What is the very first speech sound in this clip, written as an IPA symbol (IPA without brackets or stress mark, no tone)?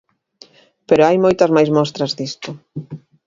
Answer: p